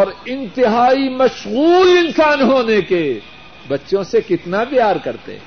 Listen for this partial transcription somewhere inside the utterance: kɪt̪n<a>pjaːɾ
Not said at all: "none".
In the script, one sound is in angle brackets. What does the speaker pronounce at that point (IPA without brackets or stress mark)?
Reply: a